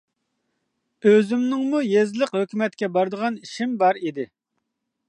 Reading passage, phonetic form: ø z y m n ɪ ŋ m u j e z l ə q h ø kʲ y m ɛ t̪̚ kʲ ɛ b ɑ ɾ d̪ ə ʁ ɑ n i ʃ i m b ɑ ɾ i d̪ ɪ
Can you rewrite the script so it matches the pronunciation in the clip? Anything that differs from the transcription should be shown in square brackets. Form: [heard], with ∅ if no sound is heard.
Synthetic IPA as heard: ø z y m n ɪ ŋ m u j e z l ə q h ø kʲ y m ɛ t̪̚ kʲ ɛ b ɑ ɾ d̪ ə ʁ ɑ n i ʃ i m b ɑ ɾ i d̪ ɪ